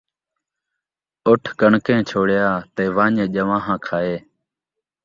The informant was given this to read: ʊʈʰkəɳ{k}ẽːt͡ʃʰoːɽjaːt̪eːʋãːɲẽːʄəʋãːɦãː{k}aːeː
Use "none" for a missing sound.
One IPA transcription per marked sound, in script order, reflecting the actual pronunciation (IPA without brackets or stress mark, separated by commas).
k, kʰ